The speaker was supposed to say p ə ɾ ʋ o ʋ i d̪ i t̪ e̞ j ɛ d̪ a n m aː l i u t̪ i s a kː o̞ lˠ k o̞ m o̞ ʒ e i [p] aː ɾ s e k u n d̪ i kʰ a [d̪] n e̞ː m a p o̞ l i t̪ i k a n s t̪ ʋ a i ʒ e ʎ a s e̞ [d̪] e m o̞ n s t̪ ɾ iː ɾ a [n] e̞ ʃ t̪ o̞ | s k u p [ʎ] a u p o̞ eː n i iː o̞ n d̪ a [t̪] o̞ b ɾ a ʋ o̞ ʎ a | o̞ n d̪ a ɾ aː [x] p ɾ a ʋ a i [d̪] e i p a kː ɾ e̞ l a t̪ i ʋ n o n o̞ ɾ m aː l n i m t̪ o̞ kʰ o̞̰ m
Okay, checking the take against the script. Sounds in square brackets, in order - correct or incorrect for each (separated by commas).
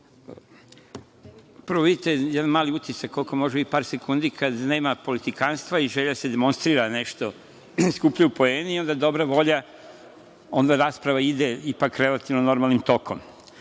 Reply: correct, correct, correct, correct, correct, incorrect, incorrect, correct